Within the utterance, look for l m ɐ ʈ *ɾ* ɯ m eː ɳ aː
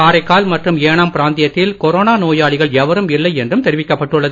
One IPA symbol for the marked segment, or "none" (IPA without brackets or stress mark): r